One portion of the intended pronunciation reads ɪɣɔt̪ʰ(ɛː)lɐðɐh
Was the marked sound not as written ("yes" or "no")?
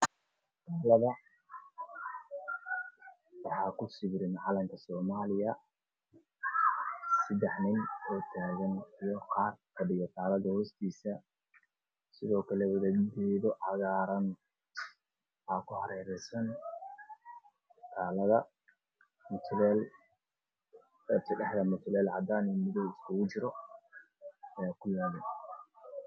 yes